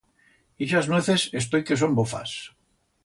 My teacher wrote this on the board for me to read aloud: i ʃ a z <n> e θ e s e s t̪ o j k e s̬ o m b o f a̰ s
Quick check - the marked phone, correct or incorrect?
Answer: correct